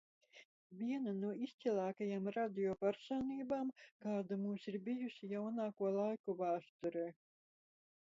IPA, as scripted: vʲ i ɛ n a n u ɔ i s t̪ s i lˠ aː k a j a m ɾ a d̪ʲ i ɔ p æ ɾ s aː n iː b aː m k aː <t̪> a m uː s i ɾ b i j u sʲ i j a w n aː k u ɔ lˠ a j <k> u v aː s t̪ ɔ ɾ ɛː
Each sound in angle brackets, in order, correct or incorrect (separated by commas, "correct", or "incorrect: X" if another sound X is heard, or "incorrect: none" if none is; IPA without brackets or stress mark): incorrect: d̪, correct